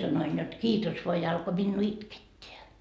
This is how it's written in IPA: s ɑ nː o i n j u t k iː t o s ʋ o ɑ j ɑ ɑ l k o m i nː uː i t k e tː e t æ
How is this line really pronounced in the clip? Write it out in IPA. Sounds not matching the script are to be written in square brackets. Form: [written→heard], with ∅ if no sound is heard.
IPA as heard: s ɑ [nː→n] o i n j [u→o] t k iː t o s ʋ o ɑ j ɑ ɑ l k o m i nː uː i t k e tː e [t→∅] æ